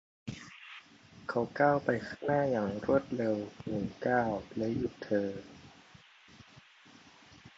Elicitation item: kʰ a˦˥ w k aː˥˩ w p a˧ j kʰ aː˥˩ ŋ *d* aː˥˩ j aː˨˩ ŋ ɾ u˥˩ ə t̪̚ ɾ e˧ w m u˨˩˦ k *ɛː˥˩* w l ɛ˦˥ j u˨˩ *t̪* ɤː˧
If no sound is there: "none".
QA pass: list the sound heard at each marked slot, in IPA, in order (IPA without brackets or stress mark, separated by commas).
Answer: n, aː˥˩, t̪ʰ